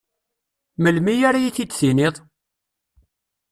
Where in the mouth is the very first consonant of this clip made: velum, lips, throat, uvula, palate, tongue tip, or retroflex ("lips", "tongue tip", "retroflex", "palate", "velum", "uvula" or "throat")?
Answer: lips